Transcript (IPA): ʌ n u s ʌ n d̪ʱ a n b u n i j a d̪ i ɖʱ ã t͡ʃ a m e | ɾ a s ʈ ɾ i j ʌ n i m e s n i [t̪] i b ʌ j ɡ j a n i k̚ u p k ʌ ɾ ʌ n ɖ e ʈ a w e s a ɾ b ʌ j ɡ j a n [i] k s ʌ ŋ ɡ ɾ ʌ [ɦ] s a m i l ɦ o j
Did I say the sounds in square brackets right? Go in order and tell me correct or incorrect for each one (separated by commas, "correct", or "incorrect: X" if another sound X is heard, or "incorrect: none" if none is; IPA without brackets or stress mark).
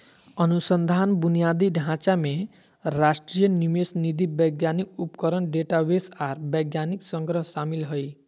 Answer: incorrect: d̪, correct, correct